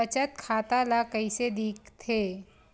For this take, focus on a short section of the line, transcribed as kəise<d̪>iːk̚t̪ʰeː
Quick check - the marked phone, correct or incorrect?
correct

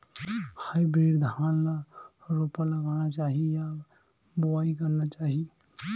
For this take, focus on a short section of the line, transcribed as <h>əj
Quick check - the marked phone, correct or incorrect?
correct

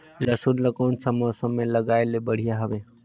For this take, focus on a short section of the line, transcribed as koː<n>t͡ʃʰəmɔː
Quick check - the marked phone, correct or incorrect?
correct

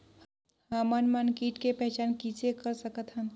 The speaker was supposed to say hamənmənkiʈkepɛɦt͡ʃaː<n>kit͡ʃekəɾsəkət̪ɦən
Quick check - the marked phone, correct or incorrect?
correct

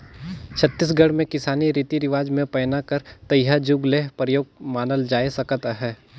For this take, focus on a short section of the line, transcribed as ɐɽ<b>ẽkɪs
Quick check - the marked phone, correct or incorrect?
incorrect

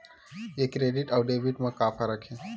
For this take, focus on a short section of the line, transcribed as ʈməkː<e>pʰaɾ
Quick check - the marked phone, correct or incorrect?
incorrect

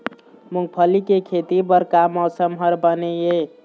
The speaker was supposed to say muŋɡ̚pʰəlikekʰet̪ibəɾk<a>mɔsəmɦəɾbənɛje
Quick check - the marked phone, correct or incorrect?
correct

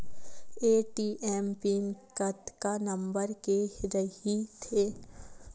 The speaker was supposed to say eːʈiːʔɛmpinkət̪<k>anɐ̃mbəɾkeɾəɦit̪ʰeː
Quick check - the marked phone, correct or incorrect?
correct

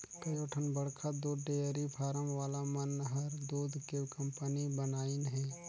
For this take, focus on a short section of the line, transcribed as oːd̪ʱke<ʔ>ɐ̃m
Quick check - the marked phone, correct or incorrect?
incorrect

